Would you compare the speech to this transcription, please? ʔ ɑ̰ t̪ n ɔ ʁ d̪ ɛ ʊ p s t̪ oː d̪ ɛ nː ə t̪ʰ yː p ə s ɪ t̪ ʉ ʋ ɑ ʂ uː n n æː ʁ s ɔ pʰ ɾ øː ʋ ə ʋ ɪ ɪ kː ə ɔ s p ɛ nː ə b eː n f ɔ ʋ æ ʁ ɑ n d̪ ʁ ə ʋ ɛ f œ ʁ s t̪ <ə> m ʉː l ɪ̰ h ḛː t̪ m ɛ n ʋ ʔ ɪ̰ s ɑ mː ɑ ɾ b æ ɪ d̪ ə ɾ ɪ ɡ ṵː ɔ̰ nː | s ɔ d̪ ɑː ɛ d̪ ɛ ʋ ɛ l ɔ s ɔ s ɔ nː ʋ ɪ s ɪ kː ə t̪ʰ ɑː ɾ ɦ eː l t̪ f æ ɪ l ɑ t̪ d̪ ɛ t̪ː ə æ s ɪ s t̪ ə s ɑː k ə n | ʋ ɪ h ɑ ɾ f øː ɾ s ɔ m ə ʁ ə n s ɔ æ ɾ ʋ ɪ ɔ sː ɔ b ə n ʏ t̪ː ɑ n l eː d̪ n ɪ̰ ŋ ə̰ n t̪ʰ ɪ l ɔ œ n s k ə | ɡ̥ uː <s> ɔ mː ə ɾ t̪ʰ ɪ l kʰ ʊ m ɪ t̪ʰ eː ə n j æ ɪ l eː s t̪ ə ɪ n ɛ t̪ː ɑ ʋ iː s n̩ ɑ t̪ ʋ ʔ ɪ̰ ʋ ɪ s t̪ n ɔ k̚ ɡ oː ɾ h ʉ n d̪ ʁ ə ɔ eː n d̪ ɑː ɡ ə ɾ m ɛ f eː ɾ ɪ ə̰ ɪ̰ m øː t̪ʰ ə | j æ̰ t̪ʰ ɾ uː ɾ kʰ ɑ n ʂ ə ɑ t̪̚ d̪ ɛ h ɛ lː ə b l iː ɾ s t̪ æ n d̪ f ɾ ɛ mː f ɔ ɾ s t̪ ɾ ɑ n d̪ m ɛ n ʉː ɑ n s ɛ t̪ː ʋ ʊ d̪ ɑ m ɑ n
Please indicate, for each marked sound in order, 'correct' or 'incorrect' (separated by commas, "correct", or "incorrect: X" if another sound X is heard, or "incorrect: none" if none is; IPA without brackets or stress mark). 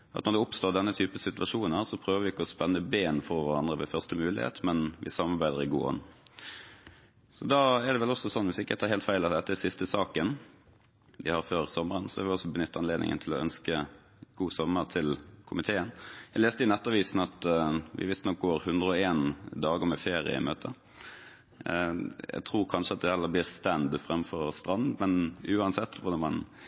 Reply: correct, correct